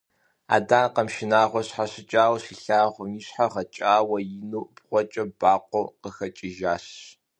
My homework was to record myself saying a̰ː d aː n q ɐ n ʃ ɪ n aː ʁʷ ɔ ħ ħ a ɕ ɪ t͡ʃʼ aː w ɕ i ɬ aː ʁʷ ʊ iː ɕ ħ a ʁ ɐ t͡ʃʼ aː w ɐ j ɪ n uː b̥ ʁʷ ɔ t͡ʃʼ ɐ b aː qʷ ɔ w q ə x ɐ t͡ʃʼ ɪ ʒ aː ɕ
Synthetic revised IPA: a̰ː d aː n q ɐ m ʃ ɪ n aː ʁʷ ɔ ɕ ħ a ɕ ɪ t͡ʃʼ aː w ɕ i ɬ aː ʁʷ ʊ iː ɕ ħ a ʁ ɐ t͡ʃʼ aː w ɐ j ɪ n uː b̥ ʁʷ ɔ t͡ʃʼ ɐ b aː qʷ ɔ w q ə x ɐ t͡ʃʼ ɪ ʒ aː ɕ